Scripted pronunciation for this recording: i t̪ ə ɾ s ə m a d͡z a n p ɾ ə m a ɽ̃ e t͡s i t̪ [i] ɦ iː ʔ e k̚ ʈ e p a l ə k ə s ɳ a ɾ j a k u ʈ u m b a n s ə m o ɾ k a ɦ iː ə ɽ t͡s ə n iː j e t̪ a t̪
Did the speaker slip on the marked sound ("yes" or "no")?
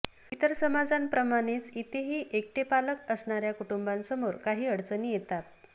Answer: yes